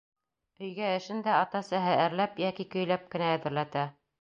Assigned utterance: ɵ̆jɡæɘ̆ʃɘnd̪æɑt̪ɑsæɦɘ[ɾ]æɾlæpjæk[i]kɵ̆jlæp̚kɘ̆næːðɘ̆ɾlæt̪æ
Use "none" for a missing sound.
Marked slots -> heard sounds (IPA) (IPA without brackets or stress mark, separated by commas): none, i